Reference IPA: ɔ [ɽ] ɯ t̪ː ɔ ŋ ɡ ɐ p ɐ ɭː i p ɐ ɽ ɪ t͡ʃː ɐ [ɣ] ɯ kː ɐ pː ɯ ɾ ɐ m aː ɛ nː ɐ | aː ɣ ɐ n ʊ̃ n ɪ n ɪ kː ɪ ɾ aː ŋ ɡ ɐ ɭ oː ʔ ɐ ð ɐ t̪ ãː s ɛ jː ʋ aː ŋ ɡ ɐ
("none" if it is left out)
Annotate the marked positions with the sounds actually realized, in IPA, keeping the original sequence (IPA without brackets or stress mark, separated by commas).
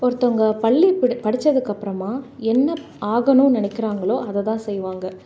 ɾ, ð